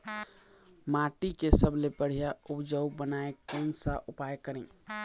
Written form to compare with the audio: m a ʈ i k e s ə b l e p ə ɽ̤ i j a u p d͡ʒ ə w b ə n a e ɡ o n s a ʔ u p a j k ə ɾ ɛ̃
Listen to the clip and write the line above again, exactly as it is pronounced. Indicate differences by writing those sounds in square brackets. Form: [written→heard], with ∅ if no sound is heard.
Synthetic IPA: m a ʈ i k e s ə b l e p ə ɽ̤ i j a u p d͡ʒ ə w b ə n a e [ɡ→k] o n s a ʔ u p a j k ə ɾ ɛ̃